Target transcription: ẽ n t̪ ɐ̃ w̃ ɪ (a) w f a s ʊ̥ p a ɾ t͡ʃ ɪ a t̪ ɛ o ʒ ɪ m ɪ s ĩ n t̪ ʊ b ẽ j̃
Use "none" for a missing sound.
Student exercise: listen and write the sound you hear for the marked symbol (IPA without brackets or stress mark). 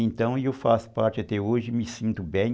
e